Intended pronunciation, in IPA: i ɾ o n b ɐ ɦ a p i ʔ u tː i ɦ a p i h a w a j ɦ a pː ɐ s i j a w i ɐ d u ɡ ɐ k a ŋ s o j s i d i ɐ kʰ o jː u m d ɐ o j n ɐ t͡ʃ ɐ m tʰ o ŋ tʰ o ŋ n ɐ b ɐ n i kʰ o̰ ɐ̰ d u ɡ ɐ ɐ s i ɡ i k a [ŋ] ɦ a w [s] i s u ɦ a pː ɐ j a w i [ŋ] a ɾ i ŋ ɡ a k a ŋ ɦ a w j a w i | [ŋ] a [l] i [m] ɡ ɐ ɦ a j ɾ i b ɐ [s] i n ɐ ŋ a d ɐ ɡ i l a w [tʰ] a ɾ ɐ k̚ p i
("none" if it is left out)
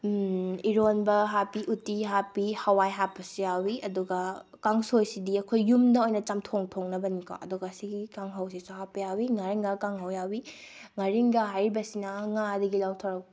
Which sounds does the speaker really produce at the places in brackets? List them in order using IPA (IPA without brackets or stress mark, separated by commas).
ŋ, s, ŋ, ŋ, ɾ, ŋ, s, tʰ